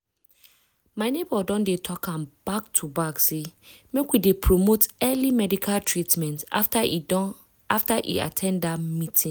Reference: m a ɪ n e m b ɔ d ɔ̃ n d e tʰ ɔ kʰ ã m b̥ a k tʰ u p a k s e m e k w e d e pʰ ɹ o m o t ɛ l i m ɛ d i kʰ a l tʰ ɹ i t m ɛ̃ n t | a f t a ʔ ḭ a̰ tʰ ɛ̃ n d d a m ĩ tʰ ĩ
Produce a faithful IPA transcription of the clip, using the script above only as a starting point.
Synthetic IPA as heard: m a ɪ n e b ɔ d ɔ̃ n d e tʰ ɔ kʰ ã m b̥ a k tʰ u b a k s e m e k w i d e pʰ ɹ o m o t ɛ l i m ɛ d i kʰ a l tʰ ɹ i t m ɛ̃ n t | a f t a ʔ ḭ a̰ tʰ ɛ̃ n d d a m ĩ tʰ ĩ